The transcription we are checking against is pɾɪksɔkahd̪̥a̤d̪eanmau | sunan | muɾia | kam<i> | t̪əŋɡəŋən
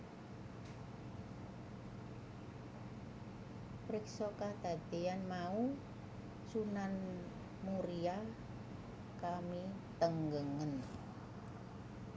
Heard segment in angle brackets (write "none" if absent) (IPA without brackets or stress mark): i